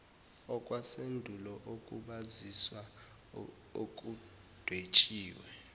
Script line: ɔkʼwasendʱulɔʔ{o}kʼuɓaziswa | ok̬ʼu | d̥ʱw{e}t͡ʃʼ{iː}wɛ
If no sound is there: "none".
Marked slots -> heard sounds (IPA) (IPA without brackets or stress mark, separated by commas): o, e, iː